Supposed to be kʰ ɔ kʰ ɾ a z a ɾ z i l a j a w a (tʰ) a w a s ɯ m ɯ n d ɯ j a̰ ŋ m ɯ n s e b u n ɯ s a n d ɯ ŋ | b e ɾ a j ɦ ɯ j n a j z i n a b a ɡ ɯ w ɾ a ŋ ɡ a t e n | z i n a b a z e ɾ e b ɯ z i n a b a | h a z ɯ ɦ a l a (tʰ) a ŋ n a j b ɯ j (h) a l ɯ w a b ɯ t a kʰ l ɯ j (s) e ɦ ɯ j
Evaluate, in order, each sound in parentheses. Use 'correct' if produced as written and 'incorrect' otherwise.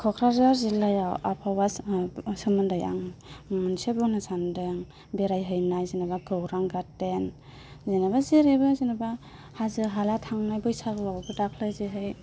incorrect: pʰ, correct, incorrect: s, incorrect: z

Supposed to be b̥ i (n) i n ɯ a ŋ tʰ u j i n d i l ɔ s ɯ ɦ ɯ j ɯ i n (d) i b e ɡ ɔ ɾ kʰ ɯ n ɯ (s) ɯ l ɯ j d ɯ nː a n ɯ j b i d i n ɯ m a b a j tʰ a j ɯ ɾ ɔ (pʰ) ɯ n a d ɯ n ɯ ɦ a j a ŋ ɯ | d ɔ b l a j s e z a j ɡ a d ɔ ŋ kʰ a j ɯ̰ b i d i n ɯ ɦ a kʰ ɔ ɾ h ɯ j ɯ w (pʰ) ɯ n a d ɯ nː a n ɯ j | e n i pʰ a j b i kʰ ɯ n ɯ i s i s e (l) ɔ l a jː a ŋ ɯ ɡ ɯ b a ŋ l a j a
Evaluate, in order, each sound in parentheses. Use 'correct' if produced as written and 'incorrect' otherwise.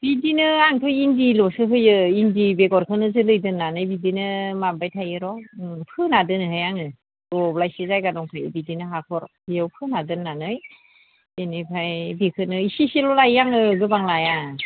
incorrect: d, correct, incorrect: z, correct, correct, correct

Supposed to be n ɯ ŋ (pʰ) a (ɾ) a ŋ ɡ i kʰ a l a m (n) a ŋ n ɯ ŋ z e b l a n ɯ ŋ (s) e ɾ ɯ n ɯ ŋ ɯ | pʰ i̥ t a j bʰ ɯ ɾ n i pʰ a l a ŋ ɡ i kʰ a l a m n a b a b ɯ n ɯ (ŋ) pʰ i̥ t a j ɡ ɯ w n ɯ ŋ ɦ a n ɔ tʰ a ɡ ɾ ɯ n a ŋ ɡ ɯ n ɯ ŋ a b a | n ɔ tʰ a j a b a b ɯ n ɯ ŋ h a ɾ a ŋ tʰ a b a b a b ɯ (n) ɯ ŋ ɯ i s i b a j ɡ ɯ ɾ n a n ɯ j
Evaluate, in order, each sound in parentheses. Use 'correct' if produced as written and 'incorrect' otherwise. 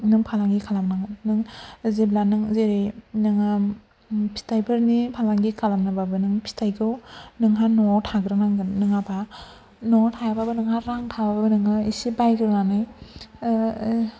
correct, incorrect: l, correct, incorrect: z, correct, correct

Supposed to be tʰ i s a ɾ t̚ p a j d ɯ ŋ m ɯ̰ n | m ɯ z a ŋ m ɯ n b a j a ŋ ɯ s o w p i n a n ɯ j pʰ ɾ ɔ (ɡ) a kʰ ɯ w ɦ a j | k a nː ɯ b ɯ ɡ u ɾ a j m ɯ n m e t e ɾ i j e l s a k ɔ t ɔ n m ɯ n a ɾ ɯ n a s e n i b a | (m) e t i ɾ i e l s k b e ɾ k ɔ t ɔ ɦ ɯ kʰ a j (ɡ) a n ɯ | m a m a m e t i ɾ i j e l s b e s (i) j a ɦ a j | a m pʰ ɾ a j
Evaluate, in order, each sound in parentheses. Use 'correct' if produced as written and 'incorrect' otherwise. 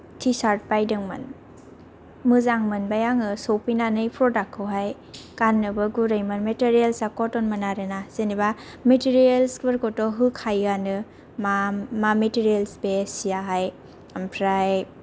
incorrect: d, correct, correct, correct

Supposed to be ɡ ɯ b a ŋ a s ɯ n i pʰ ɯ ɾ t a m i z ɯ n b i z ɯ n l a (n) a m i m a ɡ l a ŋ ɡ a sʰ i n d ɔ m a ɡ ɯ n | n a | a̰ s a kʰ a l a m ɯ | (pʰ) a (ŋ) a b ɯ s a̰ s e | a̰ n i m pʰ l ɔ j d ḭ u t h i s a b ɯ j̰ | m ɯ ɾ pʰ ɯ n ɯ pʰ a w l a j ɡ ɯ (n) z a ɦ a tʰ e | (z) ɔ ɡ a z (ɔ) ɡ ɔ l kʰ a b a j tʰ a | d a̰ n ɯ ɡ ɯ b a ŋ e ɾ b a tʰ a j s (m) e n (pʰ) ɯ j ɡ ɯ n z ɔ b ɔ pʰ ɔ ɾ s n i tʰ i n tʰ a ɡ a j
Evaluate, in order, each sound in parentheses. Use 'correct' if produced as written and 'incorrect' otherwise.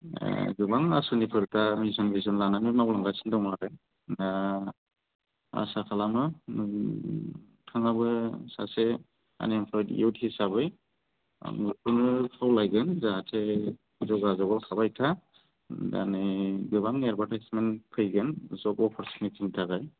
correct, incorrect: tʰ, correct, correct, correct, correct, correct, correct

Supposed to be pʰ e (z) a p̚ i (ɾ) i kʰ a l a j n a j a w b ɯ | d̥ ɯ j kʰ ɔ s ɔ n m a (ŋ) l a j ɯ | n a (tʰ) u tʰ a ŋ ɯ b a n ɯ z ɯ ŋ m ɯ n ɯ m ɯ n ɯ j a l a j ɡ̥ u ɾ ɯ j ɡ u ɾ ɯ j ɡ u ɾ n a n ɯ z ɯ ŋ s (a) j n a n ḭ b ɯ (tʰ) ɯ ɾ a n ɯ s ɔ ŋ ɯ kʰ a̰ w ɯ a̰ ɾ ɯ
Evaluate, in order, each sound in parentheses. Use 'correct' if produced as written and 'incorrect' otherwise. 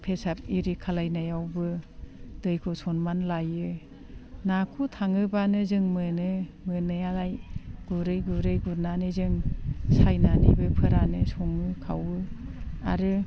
incorrect: s, correct, incorrect: n, incorrect: kʰ, correct, incorrect: pʰ

